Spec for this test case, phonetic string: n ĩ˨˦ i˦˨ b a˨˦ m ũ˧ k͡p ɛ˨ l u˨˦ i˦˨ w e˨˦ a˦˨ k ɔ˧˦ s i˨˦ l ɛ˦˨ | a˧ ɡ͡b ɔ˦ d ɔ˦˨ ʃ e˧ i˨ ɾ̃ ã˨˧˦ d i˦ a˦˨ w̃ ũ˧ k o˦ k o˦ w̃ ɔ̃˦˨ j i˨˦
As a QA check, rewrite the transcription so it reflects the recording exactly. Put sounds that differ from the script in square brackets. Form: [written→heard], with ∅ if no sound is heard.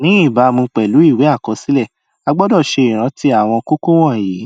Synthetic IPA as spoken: n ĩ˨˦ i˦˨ b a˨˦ m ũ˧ k͡p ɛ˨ l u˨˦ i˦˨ w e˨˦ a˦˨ k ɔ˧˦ s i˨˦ l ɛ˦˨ | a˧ ɡ͡b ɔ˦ d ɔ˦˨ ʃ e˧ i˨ ɾ̃ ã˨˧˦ [d→t] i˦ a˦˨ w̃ [ũ˧→ɔ̃˧] k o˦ k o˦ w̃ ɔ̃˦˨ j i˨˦